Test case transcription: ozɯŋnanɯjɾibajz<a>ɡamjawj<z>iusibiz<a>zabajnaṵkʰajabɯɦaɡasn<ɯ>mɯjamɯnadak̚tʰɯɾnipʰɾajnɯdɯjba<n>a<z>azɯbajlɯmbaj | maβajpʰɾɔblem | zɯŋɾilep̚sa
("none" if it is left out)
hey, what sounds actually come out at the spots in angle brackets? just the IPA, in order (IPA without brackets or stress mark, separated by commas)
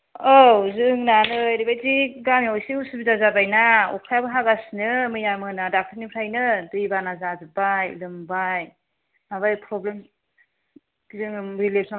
i, s, a, ɯ, n, z